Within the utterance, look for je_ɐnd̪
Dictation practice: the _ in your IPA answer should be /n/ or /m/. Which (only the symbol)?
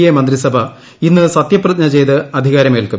m